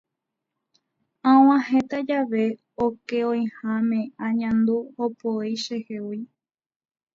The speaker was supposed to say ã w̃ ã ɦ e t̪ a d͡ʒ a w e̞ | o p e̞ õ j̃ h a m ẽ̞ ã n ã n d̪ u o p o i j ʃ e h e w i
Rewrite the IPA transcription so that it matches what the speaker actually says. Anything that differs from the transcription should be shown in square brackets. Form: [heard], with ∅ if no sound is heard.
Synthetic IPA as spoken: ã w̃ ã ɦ e t̪ a d͡ʒ a [ʋ] e̞ | o [k] e̞ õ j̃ h a m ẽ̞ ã [ɲ] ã n d̪ u o p o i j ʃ e h e w i